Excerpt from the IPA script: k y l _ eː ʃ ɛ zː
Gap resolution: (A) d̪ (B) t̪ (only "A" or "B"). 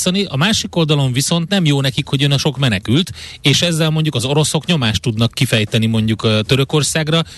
B